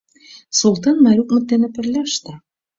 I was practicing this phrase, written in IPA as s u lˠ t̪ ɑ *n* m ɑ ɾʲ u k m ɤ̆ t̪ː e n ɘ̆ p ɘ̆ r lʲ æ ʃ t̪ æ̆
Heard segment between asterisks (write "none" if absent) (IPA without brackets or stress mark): n